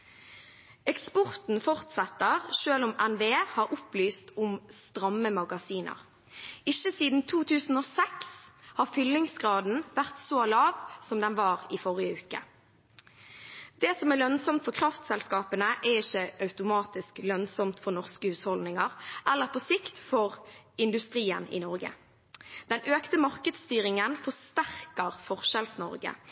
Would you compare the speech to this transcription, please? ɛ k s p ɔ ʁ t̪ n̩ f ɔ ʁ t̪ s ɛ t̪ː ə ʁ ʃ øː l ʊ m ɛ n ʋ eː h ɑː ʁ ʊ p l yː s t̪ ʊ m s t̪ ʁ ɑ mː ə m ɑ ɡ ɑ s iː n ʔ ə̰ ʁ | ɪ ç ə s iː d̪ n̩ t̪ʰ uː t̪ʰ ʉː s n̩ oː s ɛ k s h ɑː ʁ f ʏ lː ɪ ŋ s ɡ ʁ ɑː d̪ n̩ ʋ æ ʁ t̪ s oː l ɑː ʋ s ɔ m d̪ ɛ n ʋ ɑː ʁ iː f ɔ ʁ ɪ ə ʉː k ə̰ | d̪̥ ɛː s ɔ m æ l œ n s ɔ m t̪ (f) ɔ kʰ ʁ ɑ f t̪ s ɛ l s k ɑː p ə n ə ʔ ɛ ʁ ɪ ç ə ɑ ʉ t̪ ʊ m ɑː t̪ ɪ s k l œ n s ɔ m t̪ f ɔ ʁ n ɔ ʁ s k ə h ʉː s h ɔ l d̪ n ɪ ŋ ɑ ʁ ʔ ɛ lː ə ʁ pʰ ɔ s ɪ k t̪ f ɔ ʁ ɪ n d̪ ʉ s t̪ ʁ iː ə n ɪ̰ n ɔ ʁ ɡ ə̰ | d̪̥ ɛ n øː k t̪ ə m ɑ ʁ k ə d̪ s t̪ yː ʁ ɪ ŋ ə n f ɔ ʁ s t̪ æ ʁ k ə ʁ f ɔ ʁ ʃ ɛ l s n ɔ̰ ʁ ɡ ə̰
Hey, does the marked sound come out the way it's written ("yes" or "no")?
yes